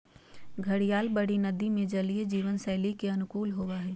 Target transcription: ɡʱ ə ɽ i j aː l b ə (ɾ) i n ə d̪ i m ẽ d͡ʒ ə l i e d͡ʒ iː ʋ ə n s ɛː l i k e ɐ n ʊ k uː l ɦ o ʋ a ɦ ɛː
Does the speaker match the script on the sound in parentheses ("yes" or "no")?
no